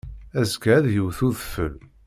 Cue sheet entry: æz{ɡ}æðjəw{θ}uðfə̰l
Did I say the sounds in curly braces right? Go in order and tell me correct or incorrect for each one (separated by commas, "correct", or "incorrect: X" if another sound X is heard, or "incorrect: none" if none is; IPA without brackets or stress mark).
incorrect: k, correct